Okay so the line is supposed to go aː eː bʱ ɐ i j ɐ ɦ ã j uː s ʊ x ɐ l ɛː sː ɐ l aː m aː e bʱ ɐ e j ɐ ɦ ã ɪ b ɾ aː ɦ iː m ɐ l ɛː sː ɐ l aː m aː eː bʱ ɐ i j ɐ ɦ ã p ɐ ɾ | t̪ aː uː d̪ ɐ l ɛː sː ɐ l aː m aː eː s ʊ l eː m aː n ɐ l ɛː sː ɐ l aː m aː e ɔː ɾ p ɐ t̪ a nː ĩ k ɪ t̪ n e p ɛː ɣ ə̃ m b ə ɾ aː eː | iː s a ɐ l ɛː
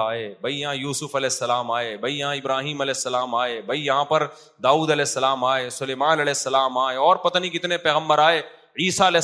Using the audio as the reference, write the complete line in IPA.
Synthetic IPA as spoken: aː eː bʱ ɐ i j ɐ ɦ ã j uː s ʊ f ɐ l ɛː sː ɐ l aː m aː e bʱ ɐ i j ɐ ɦ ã ɪ b ɾ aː ɦ iː m ɐ l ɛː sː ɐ l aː m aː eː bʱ ɐ i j ɐ ɦ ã p ɐ ɾ | d̪ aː uː d̪ ɐ l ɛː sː ɐ l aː m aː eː s ʊ l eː m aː n ɐ l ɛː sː ɐ l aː m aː e ɔː ɾ p ɐ t̪ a n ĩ k ɪ t̪ n e p ɛː ɣ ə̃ m b ə ɾ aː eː | iː s a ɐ l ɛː